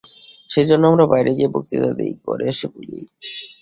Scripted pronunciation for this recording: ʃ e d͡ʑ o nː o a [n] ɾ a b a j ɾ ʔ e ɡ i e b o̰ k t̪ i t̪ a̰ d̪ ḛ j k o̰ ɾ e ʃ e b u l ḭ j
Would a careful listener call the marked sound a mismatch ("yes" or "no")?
yes